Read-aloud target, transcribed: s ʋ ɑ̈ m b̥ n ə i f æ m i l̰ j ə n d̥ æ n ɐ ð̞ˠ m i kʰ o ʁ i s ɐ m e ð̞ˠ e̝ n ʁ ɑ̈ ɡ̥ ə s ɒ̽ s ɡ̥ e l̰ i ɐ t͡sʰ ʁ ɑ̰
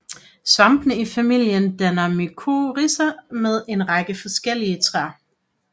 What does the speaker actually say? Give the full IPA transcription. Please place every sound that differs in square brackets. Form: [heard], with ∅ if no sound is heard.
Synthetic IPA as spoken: s ʋ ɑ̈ m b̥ n ə i f æ m i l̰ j ə n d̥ æ n ɐ [∅] m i kʰ o ʁ i s ɐ m e ð̞ˠ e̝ n ʁ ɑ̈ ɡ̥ ə [f] ɒ̽ s ɡ̥ e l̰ i [ə] t͡sʰ ʁ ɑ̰